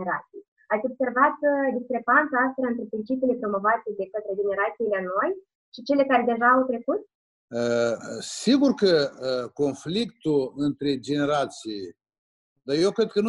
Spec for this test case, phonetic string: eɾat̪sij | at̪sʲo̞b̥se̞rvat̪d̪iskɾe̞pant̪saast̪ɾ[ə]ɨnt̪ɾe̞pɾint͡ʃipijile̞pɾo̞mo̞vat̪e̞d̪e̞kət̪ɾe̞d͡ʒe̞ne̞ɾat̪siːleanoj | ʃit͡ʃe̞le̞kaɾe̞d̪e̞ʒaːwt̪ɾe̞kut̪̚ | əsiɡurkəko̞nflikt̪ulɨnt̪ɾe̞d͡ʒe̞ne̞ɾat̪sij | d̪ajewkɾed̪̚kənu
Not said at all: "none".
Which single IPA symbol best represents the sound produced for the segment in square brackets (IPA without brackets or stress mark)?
a